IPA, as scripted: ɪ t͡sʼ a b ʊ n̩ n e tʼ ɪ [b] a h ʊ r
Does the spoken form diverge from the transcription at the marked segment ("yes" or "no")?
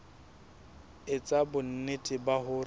no